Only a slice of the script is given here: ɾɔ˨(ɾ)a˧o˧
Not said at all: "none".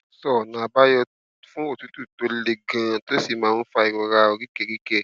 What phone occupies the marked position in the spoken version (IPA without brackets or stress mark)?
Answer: ɾ